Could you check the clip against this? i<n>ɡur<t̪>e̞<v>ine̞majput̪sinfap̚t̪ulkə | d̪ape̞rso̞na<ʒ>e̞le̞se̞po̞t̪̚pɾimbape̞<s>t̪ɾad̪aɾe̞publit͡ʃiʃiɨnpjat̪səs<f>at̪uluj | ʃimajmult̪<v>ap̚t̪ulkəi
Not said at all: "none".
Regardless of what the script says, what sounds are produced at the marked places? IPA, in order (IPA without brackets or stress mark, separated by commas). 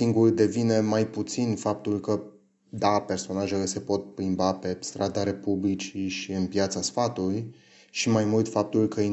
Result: ŋ, d̪, v, ʒ, s, f, f